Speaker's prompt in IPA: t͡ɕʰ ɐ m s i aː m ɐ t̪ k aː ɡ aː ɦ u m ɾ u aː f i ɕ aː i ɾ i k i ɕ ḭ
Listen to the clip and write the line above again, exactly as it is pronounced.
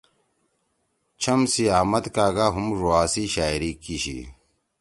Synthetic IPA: t͡ɕʰ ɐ m s i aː m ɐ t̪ k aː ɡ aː ɦ u m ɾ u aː s i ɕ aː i ɾ i k i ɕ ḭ